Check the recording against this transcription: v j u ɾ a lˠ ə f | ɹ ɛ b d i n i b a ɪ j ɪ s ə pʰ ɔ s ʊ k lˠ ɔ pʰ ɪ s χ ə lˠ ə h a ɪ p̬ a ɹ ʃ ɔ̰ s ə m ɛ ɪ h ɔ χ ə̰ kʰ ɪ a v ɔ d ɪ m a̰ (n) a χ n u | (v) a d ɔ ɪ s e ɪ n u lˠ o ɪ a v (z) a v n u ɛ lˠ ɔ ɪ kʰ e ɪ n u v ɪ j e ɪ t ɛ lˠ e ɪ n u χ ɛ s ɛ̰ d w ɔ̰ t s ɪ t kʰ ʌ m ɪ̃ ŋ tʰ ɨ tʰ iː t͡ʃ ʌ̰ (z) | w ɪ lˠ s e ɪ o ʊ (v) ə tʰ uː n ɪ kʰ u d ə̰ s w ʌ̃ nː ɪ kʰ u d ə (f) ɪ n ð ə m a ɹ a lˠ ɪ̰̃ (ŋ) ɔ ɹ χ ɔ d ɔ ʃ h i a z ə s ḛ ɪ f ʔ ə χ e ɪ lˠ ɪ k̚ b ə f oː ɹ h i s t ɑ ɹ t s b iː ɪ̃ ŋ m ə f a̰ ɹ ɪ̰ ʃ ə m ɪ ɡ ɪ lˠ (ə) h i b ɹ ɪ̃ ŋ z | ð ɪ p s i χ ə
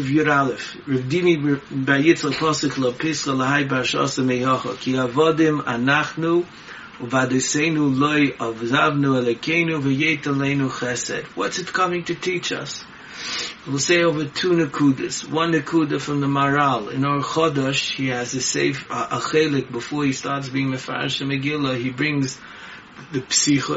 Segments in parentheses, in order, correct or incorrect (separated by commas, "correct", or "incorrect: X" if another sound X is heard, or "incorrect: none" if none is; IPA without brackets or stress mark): correct, correct, correct, incorrect: s, correct, correct, incorrect: n, correct